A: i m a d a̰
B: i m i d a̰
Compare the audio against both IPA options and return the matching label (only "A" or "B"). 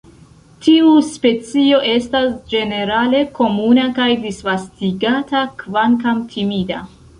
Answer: B